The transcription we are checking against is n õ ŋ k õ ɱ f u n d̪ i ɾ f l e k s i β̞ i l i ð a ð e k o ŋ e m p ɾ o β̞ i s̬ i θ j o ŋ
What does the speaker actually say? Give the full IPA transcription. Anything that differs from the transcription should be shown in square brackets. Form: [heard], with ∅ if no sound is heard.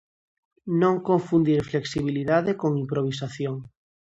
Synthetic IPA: n õ ŋ k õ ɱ f u n d̪ i ɾ f l e k s i β̞ i l i ð a ð e k o ŋ [i] m p ɾ o β̞ i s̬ [a] θ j o ŋ